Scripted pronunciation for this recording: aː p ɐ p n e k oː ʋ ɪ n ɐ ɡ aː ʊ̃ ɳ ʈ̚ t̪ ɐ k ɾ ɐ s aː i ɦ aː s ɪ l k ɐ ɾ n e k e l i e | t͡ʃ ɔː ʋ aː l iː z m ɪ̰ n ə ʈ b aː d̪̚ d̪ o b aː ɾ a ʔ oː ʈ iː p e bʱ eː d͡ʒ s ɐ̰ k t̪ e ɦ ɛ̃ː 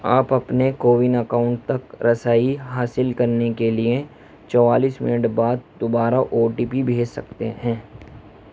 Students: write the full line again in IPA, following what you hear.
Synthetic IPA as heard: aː p ɐ p n e k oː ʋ ɪ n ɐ k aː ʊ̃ ɳ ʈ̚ t̪ ɐ k ɾ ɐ s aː i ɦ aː s ɪ l k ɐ ɾ n e k e l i e | t͡ʃ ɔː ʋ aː l iː s m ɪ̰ n ə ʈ b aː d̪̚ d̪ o b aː ɾ a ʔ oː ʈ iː p i bʱ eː d͡ʒ s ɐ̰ k t̪ e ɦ ɛ̃ː